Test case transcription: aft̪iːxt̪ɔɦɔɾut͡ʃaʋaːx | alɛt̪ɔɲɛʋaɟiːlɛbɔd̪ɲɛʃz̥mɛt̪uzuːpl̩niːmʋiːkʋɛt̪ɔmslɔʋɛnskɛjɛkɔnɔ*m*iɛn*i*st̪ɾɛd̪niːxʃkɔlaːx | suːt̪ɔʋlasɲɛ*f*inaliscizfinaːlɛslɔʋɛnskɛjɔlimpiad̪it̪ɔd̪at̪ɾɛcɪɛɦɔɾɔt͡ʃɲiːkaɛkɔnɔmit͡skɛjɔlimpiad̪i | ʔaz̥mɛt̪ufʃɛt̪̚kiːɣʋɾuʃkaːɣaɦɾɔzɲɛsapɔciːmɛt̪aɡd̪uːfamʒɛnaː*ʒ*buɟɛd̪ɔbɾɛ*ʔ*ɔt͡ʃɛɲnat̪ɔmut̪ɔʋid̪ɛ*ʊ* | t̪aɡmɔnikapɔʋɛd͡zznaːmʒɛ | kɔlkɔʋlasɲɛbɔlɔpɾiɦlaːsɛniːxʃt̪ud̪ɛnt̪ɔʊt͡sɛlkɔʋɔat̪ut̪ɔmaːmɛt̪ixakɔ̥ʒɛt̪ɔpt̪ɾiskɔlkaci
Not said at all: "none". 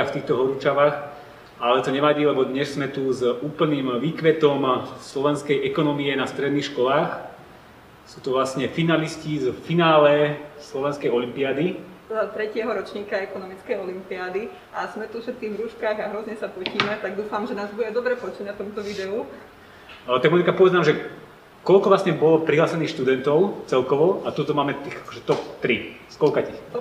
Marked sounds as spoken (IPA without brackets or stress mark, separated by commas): m, a, f, z, p, u